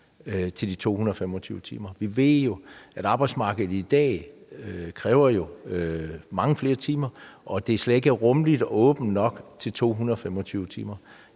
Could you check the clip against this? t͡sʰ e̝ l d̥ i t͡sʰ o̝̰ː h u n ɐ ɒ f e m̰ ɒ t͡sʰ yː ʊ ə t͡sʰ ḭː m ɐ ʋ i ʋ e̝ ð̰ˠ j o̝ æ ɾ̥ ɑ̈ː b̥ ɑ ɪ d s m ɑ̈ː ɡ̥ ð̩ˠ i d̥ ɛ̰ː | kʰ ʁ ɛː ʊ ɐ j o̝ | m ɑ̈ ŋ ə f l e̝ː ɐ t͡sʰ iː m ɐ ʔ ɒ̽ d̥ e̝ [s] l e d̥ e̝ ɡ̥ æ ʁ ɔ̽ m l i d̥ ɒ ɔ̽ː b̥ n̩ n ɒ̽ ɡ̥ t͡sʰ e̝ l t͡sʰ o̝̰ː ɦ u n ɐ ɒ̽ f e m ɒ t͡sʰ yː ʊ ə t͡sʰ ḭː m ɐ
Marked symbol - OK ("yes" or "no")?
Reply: yes